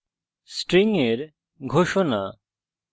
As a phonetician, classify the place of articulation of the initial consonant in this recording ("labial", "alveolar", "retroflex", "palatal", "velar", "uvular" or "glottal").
alveolar